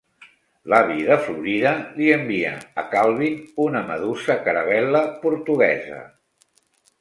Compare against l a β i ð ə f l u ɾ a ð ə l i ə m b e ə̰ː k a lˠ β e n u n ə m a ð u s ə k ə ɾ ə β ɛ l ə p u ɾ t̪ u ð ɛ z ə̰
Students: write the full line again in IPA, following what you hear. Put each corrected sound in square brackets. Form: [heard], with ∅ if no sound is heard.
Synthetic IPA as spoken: l a β i ð ə f l u ɾ [i] ð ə l i ə m b [i] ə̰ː k a lˠ β [i] n u n ə m [ə] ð u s ə k ə ɾ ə β ɛ l ə p u ɾ t̪ u [ɣ] ɛ z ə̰